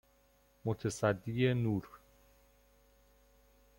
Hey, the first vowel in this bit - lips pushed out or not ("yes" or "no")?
yes